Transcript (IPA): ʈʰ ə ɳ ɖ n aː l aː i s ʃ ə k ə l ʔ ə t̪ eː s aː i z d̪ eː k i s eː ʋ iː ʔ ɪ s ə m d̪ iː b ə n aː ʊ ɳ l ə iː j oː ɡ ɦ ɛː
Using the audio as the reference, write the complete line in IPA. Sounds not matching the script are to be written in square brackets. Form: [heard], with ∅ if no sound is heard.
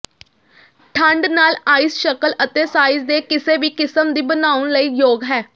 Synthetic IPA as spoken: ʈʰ ə ɳ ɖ n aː l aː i s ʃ ə k ə l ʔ ə t̪ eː s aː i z d̪ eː k [ɪ] s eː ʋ iː [k] ɪ s ə m d̪ iː b ə n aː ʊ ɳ l ə iː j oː ɡ ɦ ɛː

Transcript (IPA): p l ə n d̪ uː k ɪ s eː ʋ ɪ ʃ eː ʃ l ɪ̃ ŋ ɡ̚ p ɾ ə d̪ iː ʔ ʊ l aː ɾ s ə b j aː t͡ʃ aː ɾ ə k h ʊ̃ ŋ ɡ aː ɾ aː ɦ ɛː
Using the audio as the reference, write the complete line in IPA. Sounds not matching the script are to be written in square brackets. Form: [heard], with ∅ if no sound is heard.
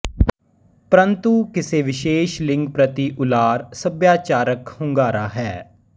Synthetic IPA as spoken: p [ɾ] ə n [t̪] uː k ɪ s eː ʋ ɪ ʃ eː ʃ l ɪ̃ ŋ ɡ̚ p ɾ ə [t̪] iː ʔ ʊ l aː ɾ s ə b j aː t͡ʃ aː ɾ ə k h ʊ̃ ŋ ɡ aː ɾ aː ɦ ɛː

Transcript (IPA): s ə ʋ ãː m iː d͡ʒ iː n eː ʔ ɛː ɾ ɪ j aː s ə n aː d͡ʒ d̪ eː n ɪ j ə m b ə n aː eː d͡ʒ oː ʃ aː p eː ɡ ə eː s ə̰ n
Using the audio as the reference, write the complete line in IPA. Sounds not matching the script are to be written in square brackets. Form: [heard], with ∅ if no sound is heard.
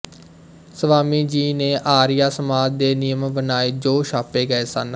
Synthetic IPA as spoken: s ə ʋ [aː] m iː d͡ʒ iː n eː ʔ [aː] ɾ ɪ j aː s ə [m] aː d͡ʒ d̪ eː n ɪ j ə m b ə n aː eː d͡ʒ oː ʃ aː p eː ɡ ə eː s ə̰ n

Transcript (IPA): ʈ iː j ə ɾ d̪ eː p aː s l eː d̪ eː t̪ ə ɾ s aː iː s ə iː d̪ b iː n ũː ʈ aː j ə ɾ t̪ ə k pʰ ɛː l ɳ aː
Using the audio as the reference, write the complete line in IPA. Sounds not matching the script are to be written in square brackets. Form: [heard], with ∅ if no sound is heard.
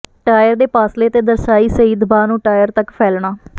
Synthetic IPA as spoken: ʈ [aː] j ə ɾ d̪ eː p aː s l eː [t̪] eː [d̪] ə ɾ s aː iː s ə iː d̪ b [aː] n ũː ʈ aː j ə ɾ t̪ ə k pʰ ɛː l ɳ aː

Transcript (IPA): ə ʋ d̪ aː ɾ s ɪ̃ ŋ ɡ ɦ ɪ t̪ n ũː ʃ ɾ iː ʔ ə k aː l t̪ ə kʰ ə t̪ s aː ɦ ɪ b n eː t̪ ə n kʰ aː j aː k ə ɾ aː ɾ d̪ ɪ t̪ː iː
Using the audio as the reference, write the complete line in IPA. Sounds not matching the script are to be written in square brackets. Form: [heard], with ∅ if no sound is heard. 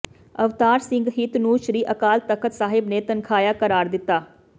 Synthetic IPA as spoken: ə ʋ [t̪] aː ɾ s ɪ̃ ŋ ɡ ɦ ɪ t̪ n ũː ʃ ɾ iː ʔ ə k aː l t̪ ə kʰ ə t̪ s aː ɦ ɪ b n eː t̪ ə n kʰ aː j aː k ə ɾ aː ɾ d̪ ɪ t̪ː [aː]

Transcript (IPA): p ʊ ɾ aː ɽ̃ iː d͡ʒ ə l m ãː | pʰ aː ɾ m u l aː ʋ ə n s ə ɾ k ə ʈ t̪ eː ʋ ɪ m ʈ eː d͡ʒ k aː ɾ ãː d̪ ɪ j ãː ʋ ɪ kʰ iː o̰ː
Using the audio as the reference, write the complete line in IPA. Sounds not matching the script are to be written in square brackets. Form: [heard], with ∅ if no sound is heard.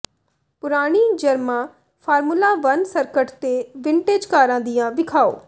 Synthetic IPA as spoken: p ʊ ɾ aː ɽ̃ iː d͡ʒ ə [ɾ] m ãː | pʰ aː ɾ m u l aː ʋ ə n s ə ɾ k ə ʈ t̪ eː ʋ ɪ [ɳ] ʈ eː d͡ʒ k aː ɾ ãː d̪ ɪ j ãː ʋ ɪ kʰ [aː] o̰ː

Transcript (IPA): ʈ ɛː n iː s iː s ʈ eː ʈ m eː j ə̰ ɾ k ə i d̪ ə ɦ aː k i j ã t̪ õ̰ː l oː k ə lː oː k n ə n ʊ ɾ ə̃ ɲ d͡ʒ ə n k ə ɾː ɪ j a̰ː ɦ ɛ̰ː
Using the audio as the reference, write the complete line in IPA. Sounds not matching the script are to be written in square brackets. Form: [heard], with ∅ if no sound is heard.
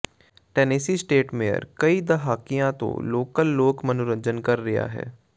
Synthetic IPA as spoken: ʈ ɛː n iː s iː s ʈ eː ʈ m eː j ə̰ ɾ k ə i d̪ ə ɦ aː k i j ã t̪ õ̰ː l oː k ə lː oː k [m] ə n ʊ ɾ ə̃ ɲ d͡ʒ ə n k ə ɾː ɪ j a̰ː ɦ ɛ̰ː

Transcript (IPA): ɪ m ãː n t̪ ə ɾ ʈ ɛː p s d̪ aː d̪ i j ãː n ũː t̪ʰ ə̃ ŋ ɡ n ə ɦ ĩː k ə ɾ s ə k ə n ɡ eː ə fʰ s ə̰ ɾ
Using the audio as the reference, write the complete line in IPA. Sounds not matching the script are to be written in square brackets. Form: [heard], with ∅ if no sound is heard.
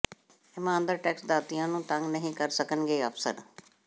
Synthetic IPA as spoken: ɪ m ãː n [d̪] ə ɾ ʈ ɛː [k] s d̪ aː [t̪] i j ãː n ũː [t̪] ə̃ ŋ ɡ n ə ɦ ĩː k ə ɾ s ə k ə n ɡ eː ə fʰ s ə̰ ɾ

